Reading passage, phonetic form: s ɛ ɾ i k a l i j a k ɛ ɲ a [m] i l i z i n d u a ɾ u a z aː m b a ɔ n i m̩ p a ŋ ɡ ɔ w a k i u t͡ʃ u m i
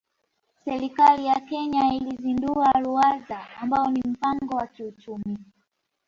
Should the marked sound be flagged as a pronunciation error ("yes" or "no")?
yes